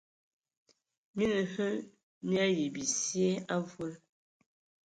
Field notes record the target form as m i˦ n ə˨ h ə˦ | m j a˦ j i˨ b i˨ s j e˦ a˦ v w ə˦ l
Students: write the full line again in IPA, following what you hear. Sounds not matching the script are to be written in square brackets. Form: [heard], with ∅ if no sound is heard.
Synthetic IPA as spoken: m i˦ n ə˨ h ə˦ | m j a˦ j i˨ b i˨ s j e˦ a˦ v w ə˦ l